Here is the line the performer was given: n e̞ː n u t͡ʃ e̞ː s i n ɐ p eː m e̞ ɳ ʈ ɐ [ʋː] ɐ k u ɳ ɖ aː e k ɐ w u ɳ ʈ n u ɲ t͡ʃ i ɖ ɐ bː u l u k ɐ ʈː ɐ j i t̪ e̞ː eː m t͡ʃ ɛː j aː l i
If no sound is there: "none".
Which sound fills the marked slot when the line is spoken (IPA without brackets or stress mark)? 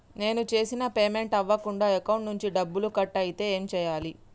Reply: ʋː